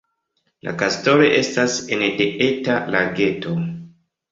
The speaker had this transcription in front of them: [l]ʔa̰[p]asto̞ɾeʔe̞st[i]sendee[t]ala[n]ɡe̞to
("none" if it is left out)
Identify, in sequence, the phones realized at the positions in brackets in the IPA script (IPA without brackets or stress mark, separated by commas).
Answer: l, k, a, t, none